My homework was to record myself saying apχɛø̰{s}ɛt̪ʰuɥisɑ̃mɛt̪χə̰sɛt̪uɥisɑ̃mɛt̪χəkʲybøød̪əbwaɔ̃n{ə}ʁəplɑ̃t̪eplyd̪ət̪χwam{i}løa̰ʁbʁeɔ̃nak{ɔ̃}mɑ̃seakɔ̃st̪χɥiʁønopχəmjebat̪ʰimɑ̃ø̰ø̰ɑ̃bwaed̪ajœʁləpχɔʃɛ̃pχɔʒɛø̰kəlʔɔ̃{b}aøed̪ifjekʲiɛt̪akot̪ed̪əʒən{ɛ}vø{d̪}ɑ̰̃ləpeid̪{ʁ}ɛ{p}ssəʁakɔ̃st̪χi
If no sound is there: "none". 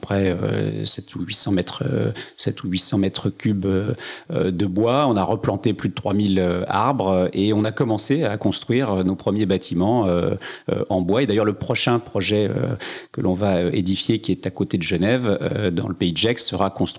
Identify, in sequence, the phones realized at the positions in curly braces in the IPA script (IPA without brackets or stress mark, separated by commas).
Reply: s, a, i, ɔ, v, ɛ, d̪, ʒ, k